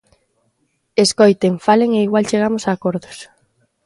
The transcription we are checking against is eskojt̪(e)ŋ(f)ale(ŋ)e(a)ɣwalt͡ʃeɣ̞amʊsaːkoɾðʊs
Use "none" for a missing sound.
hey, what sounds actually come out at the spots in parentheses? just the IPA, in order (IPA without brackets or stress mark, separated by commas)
e, f, ŋ, i